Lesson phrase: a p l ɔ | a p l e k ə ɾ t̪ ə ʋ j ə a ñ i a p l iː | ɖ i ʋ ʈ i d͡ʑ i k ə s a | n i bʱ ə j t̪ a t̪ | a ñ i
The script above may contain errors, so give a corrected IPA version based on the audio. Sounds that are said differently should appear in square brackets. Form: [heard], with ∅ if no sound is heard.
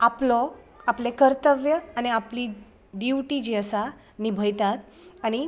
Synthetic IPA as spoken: a p l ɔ | a p l e k ə ɾ t̪ ə ʋ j ə a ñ i a p l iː | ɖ i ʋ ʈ i d͡ʑ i [∅] ə s a | n i bʱ ə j t̪ a t̪ | a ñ i